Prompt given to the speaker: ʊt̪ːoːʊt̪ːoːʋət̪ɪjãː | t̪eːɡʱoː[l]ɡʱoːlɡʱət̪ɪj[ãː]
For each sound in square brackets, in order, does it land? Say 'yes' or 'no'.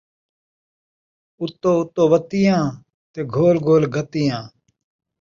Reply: yes, yes

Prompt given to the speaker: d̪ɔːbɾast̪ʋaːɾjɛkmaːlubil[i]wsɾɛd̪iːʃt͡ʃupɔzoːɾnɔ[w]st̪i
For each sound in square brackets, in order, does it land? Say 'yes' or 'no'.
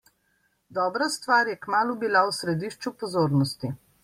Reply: no, no

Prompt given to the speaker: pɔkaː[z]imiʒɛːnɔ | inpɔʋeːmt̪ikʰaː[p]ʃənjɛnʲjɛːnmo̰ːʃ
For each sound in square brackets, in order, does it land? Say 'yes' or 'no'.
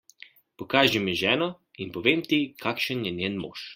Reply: no, no

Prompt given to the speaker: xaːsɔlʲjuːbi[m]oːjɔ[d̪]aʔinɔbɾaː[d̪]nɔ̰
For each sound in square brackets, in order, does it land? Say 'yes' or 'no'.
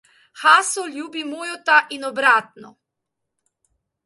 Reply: yes, no, no

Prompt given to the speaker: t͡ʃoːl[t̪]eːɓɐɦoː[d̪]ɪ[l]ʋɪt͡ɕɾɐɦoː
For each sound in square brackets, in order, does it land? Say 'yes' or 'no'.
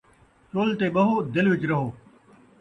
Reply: yes, yes, yes

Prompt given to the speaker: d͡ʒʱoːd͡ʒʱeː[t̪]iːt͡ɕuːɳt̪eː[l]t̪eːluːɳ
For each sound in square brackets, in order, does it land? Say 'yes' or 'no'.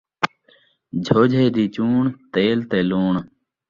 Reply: no, yes

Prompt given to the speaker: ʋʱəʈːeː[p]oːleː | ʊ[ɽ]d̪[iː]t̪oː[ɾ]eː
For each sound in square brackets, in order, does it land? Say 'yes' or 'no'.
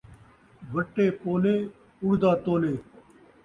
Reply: yes, yes, no, no

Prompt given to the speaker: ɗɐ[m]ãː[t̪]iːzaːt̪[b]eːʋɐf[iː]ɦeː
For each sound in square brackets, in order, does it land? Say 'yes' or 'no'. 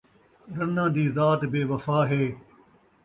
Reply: no, no, yes, no

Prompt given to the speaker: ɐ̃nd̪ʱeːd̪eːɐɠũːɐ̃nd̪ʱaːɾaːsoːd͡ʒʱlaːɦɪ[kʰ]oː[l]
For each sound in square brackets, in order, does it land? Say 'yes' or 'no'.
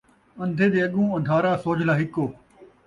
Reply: no, no

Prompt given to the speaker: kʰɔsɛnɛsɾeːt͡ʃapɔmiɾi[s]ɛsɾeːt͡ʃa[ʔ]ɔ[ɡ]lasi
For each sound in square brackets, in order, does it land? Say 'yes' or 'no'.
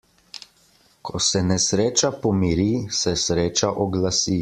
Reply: yes, yes, yes

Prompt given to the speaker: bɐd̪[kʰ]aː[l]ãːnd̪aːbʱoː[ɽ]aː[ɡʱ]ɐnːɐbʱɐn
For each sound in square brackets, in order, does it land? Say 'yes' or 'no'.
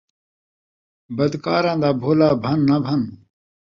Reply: no, no, no, no

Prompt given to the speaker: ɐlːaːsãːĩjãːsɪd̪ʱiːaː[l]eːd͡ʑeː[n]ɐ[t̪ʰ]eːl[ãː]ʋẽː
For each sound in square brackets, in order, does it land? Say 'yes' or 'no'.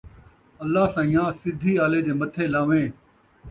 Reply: yes, no, yes, no

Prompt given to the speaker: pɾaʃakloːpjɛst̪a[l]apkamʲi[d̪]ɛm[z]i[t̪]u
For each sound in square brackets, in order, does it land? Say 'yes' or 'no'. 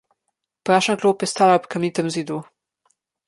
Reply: yes, no, yes, no

